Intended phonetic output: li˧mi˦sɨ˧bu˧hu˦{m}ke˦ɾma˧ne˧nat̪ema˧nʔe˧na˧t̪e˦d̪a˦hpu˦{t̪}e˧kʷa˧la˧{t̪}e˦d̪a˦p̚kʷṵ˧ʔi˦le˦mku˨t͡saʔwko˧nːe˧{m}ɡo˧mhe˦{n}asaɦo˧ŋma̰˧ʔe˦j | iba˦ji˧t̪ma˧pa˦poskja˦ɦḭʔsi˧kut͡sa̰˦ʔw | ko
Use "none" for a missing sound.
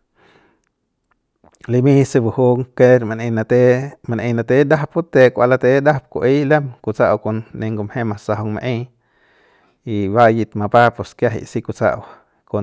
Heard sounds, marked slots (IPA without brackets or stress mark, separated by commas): ŋ, t̪, t̪, ŋ, m